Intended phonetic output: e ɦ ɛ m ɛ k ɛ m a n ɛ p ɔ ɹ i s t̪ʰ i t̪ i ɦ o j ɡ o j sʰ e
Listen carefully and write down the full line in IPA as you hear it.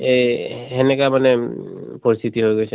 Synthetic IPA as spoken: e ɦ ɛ n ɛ k a m a n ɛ p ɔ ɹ i s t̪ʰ i t̪ i ɦ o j ɡ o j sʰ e